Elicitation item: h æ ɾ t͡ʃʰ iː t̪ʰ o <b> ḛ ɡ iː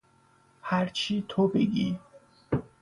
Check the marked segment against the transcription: correct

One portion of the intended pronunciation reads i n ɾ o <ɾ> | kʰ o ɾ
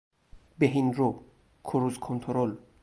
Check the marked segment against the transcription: incorrect: none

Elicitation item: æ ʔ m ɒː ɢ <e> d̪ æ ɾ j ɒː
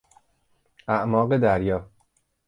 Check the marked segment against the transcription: correct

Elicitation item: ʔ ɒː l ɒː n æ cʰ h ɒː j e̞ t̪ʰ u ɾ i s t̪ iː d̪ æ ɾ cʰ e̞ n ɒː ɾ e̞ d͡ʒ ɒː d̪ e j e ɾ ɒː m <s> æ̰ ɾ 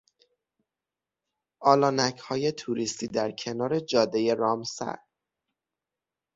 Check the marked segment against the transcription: correct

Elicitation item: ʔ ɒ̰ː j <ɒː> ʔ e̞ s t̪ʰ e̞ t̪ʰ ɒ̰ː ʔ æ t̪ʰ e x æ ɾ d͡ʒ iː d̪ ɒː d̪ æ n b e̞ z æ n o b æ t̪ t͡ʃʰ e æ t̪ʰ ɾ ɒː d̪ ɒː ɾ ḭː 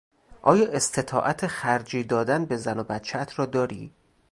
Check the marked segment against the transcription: correct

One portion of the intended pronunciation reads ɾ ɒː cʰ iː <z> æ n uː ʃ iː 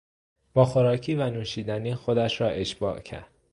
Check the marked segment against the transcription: incorrect: v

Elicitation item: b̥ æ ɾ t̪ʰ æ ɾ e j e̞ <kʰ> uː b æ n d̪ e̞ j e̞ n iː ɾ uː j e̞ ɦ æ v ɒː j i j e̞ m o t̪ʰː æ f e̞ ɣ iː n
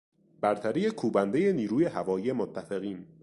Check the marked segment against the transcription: correct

